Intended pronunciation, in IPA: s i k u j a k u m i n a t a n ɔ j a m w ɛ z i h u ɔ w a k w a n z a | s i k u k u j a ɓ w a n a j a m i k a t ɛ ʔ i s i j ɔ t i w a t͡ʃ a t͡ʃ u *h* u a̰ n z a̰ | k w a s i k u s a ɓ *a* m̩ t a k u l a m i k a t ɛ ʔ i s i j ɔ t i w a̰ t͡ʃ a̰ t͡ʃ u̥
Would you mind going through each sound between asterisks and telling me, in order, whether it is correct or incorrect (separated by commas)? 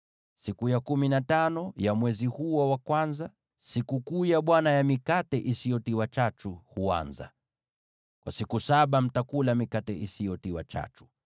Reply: correct, correct